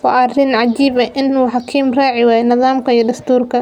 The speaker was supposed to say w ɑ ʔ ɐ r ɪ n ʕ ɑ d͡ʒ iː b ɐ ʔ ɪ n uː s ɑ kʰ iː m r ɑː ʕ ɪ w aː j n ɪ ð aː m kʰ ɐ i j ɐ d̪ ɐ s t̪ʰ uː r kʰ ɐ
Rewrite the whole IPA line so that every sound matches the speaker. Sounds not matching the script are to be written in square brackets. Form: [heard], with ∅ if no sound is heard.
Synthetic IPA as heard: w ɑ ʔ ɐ r ɪ n ʕ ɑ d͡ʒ iː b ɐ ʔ ɪ n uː [ħ] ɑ kʰ iː m r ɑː ʕ ɪ w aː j n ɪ ð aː m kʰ ɐ i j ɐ d̪ ɐ s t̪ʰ uː r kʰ ɐ